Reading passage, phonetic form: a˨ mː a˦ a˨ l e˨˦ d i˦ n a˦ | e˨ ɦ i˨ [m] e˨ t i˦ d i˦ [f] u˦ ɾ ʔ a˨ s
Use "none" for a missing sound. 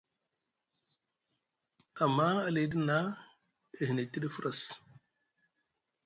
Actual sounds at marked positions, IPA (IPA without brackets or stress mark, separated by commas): n, f